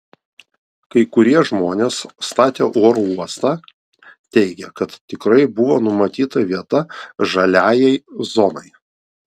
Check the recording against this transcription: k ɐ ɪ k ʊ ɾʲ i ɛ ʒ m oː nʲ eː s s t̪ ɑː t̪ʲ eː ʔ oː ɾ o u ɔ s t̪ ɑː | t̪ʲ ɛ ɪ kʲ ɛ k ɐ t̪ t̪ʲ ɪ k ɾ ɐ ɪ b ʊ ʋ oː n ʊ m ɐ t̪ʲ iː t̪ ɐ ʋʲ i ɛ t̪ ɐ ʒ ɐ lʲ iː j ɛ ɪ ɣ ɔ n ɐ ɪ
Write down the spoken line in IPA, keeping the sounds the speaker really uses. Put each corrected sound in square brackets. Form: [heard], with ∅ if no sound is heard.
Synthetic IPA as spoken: k ɐ ɪ k ʊ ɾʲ i ɛ ʒ m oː nʲ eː s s t̪ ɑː t̪ʲ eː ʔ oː ɾ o u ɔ s t̪ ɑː | t̪ʲ ɛ ɪ [ɡʲ] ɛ k ɐ t̪ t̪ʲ ɪ k ɾ ɐ ɪ b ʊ ʋ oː n ʊ m ɐ t̪ʲ iː t̪ ɐ ʋʲ i ɛ t̪ ɐ ʒ ɐ lʲ [æː] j ɛ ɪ [z] ɔ n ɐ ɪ